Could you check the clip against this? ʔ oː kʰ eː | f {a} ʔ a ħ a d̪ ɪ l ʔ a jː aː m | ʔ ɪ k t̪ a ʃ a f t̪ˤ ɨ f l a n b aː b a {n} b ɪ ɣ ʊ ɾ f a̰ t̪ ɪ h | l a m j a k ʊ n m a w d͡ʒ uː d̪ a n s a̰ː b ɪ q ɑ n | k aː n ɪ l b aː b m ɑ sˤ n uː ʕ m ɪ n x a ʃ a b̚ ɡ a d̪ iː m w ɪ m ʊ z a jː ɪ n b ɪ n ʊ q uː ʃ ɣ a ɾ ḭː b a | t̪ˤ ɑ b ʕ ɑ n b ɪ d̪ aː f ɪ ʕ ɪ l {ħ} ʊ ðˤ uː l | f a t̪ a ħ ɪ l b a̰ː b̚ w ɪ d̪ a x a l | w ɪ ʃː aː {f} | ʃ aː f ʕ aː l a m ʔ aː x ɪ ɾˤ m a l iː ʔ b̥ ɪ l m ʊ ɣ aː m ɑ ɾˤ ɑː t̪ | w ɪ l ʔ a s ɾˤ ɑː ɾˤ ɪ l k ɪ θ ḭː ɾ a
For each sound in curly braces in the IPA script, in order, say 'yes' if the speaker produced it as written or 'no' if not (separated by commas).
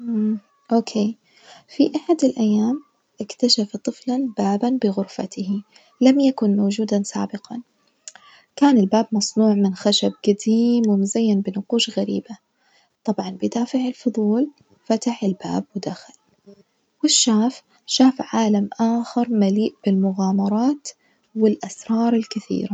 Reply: no, yes, no, yes